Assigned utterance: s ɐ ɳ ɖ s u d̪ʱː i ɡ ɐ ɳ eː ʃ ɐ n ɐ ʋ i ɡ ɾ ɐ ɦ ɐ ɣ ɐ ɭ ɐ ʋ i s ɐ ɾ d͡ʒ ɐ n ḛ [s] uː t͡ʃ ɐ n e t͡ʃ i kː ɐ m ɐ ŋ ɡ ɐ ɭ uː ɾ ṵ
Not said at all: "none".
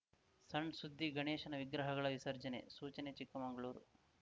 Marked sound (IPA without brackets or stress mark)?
s